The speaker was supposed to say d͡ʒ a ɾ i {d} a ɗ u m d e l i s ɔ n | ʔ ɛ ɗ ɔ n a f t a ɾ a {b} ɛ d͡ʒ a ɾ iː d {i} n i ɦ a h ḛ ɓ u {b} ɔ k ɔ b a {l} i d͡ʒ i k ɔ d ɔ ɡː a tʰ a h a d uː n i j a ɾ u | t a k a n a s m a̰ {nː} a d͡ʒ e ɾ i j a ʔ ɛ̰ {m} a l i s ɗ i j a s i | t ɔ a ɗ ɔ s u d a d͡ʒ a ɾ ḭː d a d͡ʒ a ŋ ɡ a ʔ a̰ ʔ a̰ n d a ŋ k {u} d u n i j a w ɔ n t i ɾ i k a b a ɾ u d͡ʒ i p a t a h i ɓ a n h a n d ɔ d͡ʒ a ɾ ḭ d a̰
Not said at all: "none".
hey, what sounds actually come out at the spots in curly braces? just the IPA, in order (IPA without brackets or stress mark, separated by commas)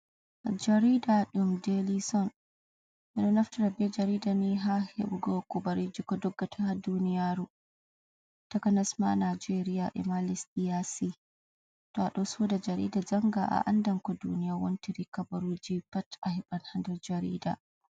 d, b, a, ɡ, ɾ, n, m, ɔ